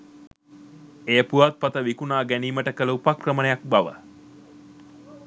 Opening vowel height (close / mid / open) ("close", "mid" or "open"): mid